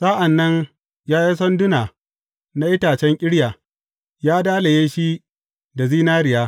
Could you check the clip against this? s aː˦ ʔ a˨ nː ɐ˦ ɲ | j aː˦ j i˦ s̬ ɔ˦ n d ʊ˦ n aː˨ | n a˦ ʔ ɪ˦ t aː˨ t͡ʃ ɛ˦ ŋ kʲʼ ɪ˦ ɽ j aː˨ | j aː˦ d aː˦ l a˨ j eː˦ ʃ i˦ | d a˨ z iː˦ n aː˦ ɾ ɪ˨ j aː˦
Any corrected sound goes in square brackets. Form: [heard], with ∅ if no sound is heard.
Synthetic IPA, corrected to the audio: s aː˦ ʔ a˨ nː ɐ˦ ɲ | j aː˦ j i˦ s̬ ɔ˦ n d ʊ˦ n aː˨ | n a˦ ʔ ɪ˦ t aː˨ t͡ʃ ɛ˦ ŋ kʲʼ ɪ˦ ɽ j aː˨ | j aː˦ d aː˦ l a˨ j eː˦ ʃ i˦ | d a˨ z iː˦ n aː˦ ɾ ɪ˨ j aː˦